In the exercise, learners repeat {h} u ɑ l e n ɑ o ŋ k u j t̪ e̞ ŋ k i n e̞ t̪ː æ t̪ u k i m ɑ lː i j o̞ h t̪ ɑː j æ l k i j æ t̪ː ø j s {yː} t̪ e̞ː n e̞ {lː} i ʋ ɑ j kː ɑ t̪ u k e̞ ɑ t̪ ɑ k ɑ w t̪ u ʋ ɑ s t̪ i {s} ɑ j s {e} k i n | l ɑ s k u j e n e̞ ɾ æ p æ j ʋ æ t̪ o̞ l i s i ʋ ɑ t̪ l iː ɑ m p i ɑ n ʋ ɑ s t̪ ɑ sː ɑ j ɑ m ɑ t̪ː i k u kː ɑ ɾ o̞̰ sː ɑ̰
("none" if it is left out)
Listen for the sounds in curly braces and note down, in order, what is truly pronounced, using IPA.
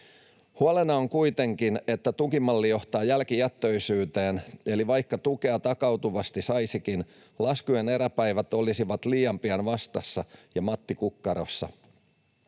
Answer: h, yː, l, s, i

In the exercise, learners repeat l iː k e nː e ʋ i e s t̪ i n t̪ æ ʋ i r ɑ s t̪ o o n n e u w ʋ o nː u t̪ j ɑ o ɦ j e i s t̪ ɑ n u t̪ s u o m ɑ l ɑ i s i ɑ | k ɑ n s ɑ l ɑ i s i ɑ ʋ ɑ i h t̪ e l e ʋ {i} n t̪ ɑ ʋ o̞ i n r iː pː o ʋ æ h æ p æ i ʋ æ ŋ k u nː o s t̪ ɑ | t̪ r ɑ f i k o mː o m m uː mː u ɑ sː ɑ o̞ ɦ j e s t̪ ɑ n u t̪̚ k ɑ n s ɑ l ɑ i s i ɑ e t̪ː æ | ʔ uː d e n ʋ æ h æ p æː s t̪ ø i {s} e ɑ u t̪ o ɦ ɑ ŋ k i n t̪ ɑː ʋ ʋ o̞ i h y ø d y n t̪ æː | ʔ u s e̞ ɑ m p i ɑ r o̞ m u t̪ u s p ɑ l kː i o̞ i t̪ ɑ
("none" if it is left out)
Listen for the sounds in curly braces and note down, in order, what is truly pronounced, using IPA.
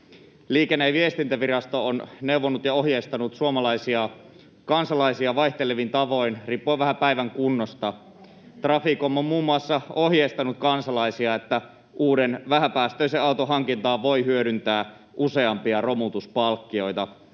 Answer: i, s

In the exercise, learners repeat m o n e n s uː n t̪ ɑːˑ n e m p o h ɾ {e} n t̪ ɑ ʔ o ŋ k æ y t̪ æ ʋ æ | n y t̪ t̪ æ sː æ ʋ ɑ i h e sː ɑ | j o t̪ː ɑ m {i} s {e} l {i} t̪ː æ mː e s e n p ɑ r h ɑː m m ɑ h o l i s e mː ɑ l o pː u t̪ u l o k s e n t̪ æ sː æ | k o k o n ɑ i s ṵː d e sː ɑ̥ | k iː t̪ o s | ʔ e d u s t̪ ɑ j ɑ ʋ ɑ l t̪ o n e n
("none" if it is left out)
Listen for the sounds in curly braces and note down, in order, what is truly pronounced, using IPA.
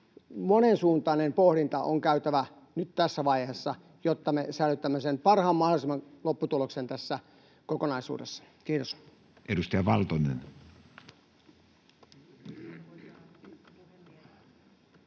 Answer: i, e, æ, y

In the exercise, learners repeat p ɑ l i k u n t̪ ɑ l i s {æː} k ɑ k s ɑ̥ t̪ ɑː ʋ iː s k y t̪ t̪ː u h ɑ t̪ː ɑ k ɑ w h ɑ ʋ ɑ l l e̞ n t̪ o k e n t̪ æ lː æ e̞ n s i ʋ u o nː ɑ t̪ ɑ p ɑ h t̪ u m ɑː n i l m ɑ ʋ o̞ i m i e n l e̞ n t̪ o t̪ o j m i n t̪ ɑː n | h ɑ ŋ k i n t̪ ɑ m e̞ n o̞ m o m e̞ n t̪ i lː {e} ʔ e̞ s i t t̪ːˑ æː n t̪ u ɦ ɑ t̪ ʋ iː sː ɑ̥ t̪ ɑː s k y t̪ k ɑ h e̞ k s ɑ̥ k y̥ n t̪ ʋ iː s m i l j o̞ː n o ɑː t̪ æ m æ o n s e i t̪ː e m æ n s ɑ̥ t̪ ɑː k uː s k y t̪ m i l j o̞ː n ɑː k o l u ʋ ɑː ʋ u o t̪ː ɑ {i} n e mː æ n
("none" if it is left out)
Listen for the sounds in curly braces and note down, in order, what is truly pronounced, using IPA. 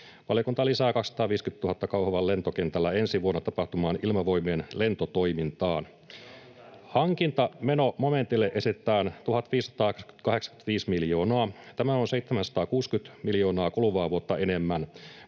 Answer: æː, e, e

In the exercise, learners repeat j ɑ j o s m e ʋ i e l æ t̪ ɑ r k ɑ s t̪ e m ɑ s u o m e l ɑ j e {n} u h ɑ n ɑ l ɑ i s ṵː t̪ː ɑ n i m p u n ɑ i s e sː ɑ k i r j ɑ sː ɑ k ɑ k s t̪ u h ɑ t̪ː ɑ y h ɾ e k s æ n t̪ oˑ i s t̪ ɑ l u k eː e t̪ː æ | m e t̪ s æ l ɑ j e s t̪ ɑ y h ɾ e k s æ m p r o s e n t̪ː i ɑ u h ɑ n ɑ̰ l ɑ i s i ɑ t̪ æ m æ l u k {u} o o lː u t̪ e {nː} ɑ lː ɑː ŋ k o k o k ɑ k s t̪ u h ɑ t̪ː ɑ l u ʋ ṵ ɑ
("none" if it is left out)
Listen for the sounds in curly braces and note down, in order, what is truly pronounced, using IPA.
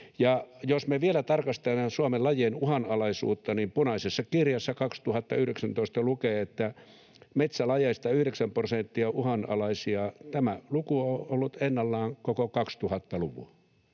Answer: n, u, nː

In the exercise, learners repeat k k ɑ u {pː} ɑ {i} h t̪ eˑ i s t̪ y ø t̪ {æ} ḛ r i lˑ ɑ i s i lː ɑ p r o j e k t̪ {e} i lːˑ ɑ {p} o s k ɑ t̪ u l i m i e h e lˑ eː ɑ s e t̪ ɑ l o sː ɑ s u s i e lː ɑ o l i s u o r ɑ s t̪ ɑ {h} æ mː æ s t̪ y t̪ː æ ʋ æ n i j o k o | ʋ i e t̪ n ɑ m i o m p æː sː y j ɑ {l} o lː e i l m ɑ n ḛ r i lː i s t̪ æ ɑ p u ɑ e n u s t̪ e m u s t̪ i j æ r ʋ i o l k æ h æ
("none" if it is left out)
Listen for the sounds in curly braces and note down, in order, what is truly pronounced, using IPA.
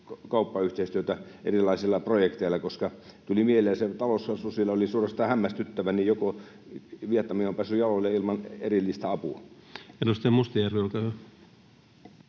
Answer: pː, y, æ, e, k, h, l

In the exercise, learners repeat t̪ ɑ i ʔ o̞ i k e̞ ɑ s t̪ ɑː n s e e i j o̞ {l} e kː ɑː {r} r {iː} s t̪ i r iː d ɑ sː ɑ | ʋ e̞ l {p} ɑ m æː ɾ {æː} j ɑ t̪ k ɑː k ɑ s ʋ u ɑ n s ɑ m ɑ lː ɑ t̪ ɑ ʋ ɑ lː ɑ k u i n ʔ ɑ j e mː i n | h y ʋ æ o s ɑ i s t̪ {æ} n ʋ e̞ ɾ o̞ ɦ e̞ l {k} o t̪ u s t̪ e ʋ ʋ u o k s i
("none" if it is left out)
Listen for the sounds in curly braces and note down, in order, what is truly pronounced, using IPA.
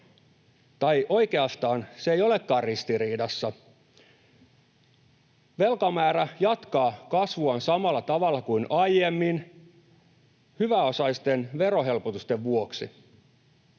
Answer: l, r, i, k, æ, e, p

